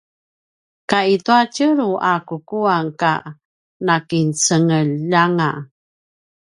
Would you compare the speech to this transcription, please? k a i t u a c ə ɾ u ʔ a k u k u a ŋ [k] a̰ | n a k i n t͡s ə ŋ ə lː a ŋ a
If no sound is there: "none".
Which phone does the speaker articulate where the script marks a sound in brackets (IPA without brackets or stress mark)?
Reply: k